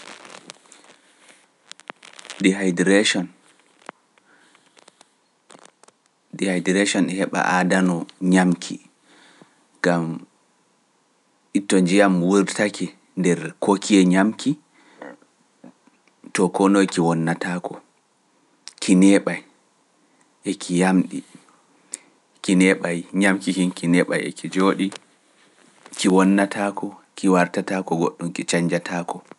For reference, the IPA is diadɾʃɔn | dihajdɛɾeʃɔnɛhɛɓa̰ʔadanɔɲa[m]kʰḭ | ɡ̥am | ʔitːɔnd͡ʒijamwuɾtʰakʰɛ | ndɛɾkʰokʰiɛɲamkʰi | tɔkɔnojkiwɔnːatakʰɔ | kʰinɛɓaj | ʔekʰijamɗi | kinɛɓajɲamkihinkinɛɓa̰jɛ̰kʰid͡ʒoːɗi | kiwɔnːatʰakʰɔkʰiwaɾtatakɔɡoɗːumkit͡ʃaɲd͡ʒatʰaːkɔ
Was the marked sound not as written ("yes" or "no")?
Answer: no